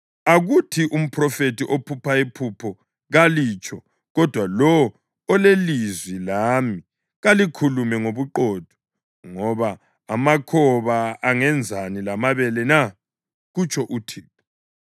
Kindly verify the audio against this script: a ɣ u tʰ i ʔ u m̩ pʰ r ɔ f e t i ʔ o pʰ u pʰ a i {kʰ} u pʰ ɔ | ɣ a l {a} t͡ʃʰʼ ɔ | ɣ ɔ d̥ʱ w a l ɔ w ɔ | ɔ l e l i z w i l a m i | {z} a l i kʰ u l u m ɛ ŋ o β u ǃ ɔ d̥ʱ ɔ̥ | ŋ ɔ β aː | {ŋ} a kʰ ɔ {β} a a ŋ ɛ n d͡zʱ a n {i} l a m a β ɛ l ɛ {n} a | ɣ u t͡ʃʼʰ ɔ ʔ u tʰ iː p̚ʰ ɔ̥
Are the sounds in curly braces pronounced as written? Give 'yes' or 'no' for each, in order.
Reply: no, no, no, no, yes, yes, yes

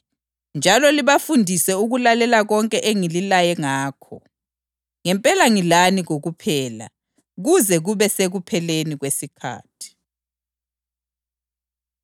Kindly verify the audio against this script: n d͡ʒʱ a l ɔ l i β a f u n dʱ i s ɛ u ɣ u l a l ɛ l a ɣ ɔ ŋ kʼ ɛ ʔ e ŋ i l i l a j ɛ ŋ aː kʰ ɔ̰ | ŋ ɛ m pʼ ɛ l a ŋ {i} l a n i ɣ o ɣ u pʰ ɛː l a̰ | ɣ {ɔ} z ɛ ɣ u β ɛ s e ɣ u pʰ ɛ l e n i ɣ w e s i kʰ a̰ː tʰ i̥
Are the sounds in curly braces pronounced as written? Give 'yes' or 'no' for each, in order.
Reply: yes, no

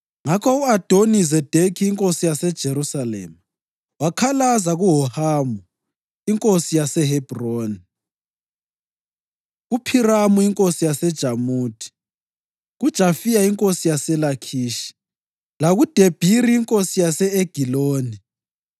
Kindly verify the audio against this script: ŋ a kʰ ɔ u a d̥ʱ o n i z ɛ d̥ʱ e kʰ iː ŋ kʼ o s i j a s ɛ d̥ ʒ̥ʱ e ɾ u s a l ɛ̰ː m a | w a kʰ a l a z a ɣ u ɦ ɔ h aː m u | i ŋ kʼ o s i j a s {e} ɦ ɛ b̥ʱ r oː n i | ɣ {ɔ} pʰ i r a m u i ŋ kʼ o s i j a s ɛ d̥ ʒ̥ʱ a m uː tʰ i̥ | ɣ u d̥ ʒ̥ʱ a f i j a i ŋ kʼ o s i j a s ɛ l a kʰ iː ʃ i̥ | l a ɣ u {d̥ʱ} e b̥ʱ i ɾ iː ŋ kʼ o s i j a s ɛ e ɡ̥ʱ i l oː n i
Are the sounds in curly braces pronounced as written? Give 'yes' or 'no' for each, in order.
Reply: no, no, yes

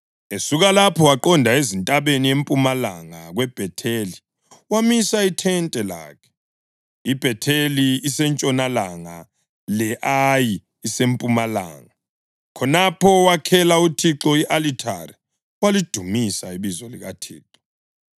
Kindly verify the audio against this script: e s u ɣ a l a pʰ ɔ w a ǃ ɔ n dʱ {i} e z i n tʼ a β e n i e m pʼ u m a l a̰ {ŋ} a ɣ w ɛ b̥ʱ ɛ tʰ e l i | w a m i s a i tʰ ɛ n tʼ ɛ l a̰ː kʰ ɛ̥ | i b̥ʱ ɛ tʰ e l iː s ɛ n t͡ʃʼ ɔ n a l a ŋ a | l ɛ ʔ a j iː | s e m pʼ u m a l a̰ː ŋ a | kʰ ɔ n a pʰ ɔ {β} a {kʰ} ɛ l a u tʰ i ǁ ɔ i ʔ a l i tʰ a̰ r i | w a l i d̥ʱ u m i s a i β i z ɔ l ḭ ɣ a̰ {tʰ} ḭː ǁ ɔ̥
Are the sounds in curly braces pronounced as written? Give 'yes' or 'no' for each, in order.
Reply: no, yes, no, yes, yes

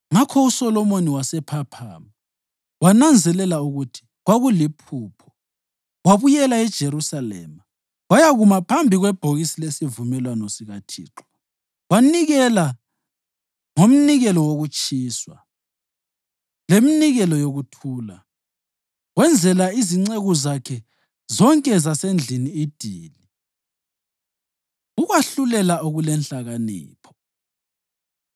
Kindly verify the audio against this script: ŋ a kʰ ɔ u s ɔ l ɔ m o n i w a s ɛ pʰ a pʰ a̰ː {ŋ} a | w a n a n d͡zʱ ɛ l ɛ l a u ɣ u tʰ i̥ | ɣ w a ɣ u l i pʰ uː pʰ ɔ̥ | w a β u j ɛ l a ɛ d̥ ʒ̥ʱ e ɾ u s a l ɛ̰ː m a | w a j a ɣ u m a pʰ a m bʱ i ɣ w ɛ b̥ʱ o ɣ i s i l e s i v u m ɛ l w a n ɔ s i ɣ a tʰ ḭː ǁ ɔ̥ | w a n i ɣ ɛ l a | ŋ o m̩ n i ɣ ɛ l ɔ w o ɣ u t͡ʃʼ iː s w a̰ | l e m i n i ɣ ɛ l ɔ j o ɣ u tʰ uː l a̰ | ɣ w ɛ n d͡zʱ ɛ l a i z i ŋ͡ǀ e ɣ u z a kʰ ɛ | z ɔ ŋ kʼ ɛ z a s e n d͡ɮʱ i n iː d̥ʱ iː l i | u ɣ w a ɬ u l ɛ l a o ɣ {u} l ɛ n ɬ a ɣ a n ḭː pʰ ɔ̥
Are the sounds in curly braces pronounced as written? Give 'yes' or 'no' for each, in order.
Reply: no, yes

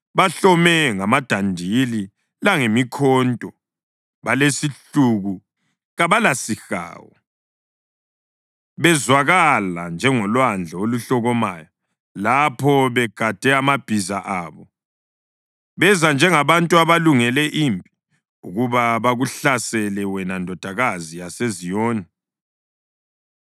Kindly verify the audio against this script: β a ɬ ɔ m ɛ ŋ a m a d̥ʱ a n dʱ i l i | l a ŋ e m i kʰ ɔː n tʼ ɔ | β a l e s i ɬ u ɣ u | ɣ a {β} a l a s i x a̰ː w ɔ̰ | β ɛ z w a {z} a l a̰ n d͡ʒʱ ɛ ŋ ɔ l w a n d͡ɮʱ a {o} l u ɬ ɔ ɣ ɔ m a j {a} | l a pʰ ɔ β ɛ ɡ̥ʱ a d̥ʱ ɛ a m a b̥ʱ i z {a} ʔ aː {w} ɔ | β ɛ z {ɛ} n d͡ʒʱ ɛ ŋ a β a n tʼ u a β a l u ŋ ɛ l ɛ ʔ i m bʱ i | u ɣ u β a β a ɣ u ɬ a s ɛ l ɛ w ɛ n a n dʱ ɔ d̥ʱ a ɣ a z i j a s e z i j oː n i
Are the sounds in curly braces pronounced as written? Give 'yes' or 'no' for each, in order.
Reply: yes, no, yes, yes, yes, no, no

